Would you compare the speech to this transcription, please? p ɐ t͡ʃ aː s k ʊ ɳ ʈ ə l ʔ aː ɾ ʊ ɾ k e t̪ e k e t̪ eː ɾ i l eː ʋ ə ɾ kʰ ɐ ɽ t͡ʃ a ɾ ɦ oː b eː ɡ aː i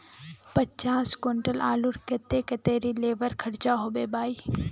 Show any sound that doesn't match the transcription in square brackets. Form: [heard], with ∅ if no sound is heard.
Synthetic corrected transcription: p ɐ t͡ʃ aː s k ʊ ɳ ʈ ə l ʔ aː [l] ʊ ɾ k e t̪ e k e t̪ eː ɾ i l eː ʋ ə ɾ kʰ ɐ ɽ t͡ʃ a [∅] ɦ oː b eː [b] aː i